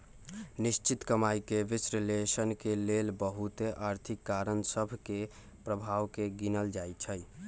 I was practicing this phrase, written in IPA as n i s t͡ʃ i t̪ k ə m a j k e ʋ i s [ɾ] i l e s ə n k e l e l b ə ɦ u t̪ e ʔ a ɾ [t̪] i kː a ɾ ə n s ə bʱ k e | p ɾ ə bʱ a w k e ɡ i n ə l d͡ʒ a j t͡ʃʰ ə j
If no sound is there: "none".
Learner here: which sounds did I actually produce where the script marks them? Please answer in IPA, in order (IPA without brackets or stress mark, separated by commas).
ɾ, t̪ʰ